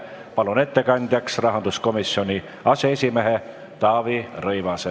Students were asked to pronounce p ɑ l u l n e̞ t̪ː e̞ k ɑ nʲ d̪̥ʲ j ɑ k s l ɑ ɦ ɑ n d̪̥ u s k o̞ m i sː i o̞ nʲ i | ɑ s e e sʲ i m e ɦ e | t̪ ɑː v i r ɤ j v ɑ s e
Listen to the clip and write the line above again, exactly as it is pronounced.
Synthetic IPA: p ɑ l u n e̞ t̪ː e̞ k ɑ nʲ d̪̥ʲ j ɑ k s r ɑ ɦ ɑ n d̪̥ u s k o̞ m i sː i o̞ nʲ i | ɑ s e e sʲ i m e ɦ e | t̪ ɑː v i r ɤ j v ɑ s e